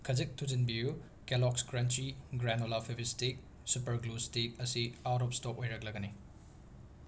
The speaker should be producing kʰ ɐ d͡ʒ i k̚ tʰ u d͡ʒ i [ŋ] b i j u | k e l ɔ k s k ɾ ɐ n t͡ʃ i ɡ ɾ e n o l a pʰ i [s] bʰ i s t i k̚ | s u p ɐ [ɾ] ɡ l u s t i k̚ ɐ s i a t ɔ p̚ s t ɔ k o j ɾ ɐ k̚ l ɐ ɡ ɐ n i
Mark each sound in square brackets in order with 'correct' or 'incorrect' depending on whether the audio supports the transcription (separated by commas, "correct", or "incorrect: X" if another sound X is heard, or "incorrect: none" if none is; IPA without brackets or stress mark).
incorrect: n, incorrect: none, correct